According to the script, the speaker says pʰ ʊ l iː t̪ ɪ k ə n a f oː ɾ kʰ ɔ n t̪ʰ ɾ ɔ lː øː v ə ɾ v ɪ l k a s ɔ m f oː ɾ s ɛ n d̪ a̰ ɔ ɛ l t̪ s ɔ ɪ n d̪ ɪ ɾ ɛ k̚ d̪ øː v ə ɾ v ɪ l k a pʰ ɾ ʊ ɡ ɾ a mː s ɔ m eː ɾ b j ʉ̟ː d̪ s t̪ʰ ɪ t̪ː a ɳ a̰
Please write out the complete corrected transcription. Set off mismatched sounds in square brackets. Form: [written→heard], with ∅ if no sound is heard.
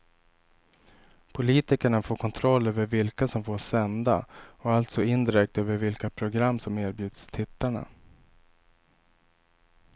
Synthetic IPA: pʰ ʊ l iː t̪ ɪ k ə [n→ɳ] a f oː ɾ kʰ ɔ n t̪ʰ ɾ ɔ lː øː v ə ɾ v ɪ l k a s ɔ m f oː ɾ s ɛ n d̪ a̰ ɔ [ɛ→a] l t̪ s ɔ ɪ n d̪ ɪ ɾ ɛ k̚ [d̪→t̪] øː v ə ɾ v ɪ l k a pʰ ɾ ʊ ɡ ɾ a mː s ɔ m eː ɾ b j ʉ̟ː d̪ s t̪ʰ ɪ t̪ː a ɳ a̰